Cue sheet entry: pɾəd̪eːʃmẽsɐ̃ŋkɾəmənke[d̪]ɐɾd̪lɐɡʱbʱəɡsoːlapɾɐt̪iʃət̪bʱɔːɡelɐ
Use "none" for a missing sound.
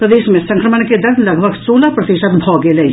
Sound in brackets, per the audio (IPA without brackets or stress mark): d̪